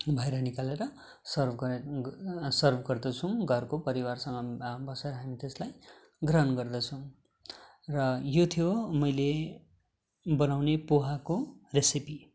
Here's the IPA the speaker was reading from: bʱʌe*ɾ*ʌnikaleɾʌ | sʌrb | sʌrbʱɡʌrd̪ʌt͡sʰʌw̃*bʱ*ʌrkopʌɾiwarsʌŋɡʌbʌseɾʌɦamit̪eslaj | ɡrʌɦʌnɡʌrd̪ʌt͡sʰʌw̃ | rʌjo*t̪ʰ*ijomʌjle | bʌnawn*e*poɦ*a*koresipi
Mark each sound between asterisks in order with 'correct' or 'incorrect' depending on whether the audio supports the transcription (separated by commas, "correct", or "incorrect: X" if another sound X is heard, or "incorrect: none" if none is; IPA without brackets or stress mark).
correct, incorrect: ɡʱ, correct, correct, correct